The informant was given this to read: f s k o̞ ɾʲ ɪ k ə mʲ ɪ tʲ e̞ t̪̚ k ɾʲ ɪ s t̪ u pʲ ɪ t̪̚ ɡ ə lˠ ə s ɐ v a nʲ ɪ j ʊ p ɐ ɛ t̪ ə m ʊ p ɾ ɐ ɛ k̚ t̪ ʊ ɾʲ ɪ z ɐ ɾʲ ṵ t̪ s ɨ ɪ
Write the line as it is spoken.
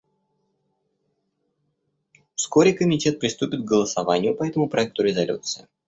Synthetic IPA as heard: f s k o̞ ɾʲ ɪ k ə mʲ ɪ tʲ e̞ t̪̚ p ɾʲ ɪ s t̪ u pʲ ɪ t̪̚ ɡ ə lˠ ə s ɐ v a nʲ ɪ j ʊ p ɐ ɛ t̪ ə m ʊ p ɾ ɐ ɛ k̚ t̪ ʊ ɾʲ ɪ z ɐ lʲ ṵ t̪ s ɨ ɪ